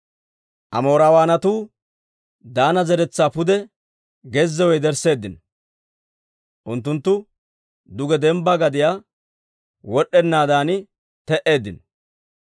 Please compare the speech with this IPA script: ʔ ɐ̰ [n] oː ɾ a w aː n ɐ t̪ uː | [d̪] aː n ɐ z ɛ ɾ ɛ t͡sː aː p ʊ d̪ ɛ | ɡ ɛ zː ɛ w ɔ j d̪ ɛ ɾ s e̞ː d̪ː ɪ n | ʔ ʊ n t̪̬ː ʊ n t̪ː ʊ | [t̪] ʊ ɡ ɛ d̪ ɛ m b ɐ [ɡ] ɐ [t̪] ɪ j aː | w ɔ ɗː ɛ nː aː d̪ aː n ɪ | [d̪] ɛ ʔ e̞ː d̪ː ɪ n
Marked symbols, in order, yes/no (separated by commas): no, yes, no, yes, no, no